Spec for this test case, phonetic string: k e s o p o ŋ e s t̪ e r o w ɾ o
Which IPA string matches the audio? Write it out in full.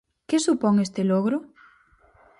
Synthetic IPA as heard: k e s u p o ŋ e s t̪ e l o ɣ ɾ o